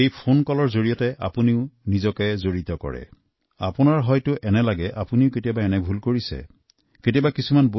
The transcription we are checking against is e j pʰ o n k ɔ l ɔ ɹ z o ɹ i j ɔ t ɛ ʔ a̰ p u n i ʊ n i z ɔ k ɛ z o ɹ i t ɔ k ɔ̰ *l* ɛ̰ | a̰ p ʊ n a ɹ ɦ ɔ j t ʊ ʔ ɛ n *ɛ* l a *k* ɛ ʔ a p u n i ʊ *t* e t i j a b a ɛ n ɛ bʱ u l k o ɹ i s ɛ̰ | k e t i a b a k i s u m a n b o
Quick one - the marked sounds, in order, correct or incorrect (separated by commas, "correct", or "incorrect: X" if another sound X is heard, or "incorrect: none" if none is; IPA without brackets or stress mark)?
incorrect: ɹ, correct, incorrect: ɡ, incorrect: k